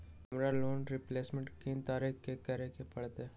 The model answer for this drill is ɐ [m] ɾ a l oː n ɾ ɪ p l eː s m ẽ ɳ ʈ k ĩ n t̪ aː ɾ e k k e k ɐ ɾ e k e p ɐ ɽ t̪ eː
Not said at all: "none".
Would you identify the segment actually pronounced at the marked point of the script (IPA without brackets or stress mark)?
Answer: m